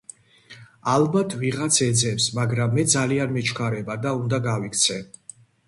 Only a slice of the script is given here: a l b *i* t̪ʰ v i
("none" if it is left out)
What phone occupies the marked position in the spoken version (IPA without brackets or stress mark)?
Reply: a